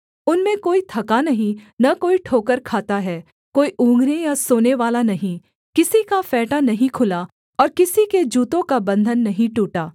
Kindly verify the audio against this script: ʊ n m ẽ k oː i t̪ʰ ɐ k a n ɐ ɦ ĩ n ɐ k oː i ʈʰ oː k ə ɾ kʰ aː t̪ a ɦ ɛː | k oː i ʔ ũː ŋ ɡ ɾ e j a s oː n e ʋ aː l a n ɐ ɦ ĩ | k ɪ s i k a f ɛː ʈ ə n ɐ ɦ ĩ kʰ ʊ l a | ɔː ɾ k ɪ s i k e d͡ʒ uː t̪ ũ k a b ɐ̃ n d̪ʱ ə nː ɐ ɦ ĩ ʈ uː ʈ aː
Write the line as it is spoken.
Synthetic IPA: ʊ n m ẽ k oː i t̪ʰ ɐ k a n ɐ ɦ ĩ n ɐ k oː i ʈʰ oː k ə ɾ kʰ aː t̪ a ɦ ɛː | k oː i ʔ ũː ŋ ɡ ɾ e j a s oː n e ʋ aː l a n ɐ ɦ ĩ | k ɪ s i k a f ɛː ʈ a n ɐ ɦ ĩ kʰ ʊ l a | ɔː ɾ k ɪ s i k e d͡ʒ uː t̪ õ k a b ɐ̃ n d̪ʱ ə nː ɐ ɦ ĩ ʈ uː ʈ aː